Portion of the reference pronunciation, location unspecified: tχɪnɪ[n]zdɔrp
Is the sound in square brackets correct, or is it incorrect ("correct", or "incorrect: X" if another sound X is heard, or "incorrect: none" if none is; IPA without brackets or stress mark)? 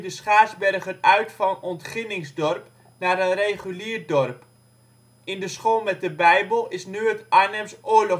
incorrect: ŋ